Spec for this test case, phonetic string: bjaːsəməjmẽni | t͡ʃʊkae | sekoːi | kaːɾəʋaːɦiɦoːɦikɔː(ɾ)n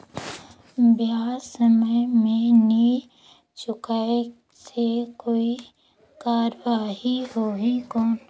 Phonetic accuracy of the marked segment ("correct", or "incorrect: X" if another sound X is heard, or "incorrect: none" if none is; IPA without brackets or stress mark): incorrect: none